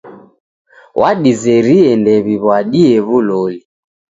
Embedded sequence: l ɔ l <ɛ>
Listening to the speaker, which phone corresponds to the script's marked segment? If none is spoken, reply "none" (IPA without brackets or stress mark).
i